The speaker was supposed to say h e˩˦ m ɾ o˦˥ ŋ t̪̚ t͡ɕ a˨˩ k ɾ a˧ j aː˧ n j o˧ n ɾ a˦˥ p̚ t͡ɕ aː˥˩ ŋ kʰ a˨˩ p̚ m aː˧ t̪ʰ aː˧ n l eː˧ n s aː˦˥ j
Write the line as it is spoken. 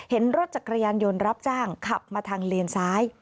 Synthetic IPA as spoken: h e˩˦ n ɾ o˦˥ t̪̚ t͡ɕ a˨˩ k ɾ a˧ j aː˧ n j o˧ n ɾ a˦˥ p̚ t͡ɕ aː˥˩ ŋ kʰ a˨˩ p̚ m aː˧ t̪ʰ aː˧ ŋ l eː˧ n s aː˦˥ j